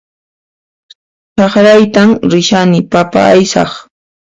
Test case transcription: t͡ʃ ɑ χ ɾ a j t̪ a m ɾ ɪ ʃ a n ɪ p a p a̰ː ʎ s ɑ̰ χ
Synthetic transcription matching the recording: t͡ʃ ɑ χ ɾ a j t̪ a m ɾ ɪ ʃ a n ɪ p a p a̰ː j s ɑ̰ χ